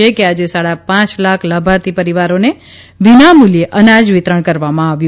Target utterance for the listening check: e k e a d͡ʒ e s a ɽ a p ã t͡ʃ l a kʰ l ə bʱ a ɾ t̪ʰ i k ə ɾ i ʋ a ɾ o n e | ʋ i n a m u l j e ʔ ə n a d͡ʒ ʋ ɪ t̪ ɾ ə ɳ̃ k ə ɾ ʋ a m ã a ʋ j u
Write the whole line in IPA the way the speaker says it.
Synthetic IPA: e k e a d͡ʒ e s a ɽ a p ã t͡ʃ l a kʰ l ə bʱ a ɾ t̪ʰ i p ə ɾ i ʋ a ɾ o n e | ʋ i n a m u l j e ʔ ə n a d͡ʒ ʋ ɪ t̪ ɾ ə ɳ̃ k ə ɾ ʋ a m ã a ʋ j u